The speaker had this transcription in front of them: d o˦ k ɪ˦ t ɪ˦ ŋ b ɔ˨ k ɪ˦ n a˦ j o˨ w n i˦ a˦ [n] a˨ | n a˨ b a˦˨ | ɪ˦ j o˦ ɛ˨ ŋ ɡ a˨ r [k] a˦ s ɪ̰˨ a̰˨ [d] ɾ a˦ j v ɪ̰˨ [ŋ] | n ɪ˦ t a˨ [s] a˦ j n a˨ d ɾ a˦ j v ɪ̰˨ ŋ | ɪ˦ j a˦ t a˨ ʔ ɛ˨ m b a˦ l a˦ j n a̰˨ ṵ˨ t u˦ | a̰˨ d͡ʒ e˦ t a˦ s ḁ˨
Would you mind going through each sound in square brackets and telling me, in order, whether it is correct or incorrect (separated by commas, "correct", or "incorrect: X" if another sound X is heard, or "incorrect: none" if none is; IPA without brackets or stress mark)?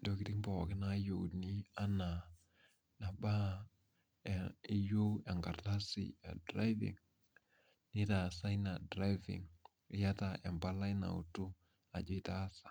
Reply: correct, incorrect: t, correct, correct, correct